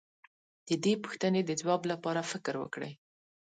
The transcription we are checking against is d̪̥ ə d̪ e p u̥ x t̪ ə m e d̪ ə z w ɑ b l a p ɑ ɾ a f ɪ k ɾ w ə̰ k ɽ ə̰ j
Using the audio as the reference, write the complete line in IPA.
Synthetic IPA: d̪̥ ə d̪ e p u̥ x t̪ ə n e d̪ ə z w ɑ b l a p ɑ ɾ a f ɪ k ɾ w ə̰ k ɽ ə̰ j